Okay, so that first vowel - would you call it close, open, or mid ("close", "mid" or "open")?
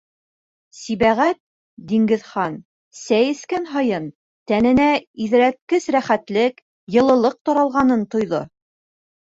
close